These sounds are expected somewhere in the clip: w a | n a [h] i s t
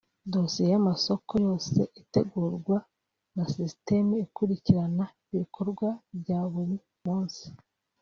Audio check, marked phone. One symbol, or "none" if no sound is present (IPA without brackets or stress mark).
s